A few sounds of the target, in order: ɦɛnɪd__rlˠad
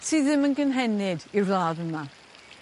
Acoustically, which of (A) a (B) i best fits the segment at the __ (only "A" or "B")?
B